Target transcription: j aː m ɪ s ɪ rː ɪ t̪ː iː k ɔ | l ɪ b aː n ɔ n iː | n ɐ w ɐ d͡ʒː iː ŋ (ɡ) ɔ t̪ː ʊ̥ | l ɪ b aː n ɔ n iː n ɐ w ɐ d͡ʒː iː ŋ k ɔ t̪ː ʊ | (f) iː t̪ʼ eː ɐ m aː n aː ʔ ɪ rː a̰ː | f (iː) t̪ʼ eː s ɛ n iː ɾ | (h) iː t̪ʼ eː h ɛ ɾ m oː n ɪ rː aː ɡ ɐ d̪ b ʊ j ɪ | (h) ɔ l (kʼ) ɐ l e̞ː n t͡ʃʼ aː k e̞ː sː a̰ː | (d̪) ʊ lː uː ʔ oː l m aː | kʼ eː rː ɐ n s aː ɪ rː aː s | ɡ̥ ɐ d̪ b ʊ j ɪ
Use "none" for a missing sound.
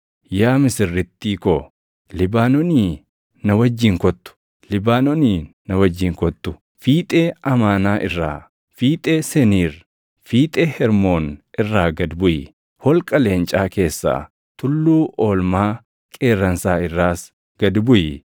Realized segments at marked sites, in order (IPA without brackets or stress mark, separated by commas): k, f, iː, f, h, kʼ, t̪